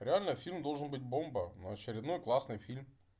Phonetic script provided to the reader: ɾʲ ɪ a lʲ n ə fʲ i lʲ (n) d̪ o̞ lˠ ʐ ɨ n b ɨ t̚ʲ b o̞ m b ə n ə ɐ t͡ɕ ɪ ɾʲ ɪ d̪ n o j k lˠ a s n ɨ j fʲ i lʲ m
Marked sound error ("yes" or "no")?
yes